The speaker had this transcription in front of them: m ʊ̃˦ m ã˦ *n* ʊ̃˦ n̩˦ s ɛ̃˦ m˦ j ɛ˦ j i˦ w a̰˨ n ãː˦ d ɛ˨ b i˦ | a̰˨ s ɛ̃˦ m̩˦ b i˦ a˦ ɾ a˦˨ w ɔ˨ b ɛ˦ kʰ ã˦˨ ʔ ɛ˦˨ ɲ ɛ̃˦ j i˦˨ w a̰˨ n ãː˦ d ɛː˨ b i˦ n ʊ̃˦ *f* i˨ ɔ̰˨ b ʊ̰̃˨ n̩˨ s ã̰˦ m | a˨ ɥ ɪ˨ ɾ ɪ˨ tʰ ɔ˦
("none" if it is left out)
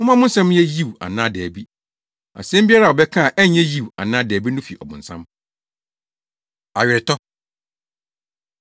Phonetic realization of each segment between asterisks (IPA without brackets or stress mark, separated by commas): m, f